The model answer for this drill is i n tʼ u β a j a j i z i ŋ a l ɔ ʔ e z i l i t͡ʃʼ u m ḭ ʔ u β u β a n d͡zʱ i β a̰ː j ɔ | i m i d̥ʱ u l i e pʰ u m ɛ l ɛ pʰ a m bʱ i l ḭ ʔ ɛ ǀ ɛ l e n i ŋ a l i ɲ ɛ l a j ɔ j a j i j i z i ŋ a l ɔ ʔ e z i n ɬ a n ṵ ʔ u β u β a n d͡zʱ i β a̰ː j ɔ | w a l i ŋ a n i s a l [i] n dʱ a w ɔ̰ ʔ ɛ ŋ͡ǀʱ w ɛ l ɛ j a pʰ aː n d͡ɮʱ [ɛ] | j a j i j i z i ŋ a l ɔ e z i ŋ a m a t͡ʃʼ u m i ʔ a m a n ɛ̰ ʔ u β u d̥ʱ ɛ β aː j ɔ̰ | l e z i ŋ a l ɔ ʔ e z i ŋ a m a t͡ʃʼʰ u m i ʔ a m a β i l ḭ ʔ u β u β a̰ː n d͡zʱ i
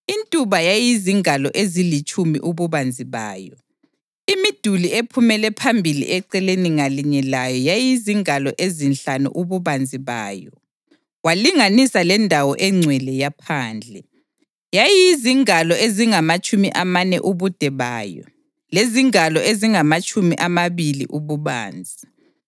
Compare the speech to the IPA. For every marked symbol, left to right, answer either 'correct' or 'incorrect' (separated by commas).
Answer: incorrect, correct